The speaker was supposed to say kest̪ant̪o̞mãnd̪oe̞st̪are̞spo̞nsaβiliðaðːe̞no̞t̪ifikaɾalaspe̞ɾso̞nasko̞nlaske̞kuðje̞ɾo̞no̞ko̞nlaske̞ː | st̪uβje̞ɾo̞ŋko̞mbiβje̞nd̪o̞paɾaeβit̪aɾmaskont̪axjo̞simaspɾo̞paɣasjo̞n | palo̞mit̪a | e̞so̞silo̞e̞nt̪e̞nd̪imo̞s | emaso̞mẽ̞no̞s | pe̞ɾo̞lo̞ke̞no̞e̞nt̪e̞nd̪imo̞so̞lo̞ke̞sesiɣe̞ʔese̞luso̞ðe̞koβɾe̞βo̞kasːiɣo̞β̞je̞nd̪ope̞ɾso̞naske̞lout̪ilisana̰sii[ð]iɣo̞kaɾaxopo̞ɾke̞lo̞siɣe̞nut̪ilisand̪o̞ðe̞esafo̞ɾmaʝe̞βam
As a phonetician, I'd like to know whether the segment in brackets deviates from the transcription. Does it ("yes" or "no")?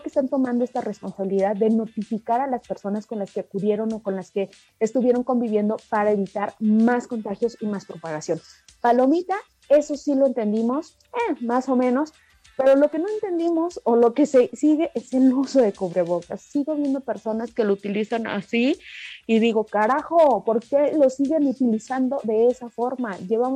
no